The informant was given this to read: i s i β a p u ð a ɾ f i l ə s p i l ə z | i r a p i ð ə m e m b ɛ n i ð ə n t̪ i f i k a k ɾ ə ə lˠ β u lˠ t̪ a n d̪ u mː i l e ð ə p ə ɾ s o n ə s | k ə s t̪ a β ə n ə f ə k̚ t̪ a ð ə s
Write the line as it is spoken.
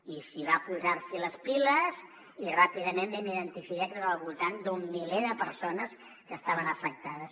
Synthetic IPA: i s i β a p u z a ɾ s i l ə s p i l ə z | i r a p i ð ə m e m b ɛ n i ð ə n t̪ i f i k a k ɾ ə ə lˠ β u lˠ t̪ a n d̪ u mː i l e ð ə p ə ɾ s o n ə s | k ə s t̪ a β ə n ə f ə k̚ t̪ a ð ə s